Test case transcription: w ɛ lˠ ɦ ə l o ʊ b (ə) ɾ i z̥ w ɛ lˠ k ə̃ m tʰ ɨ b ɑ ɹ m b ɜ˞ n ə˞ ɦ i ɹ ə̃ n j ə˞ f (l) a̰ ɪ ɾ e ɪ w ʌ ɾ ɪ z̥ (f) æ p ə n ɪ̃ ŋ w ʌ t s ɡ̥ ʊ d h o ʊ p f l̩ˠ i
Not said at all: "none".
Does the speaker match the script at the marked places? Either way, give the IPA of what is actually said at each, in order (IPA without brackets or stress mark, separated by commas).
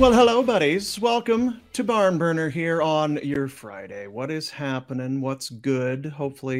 ʌ, ɹ, h